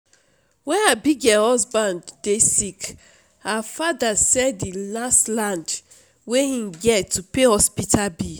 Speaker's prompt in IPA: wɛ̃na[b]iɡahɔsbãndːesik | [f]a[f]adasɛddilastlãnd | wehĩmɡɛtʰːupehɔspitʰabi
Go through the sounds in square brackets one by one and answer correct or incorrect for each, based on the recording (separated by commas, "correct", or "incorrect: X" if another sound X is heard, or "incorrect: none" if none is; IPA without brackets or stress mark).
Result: correct, incorrect: h, correct